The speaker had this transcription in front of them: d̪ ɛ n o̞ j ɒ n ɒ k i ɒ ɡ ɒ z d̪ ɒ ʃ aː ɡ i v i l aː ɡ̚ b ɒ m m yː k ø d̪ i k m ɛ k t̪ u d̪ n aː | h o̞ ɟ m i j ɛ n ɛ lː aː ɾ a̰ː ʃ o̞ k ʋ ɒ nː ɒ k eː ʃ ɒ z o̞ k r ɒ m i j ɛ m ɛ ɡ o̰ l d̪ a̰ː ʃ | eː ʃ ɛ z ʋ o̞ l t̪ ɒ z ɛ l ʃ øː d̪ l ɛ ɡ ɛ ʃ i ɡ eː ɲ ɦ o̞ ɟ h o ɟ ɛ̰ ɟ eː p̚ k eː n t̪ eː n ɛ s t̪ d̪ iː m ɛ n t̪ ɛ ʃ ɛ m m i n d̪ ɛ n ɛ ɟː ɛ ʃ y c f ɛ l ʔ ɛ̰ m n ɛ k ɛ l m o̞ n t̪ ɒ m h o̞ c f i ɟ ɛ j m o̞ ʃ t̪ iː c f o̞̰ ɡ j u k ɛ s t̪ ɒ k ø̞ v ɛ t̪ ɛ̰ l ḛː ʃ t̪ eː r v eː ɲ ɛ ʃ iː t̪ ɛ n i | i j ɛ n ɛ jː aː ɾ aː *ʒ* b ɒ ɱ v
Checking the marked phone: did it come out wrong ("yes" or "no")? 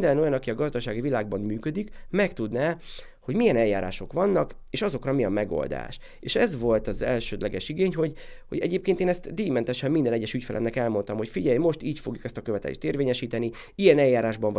no